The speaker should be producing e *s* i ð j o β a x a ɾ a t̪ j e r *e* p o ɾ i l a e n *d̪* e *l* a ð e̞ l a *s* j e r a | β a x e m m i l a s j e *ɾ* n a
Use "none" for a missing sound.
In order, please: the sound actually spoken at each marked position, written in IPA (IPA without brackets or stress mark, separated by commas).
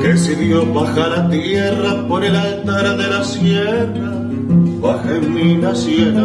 s, a, t̪, ɾ, s, none